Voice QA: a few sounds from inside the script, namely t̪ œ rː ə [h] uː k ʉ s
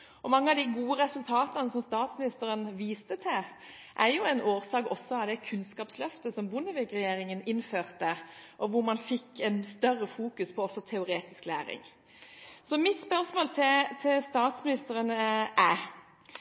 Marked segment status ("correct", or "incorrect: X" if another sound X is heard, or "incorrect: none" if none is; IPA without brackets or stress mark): incorrect: f